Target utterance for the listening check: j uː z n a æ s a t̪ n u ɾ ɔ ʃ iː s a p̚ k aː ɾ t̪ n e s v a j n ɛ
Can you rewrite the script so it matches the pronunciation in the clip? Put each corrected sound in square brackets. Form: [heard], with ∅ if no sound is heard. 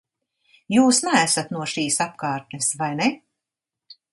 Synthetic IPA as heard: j uː [s] n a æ s a t̪ n u [∅] ɔ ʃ iː s a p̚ k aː ɾ t̪ n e s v a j n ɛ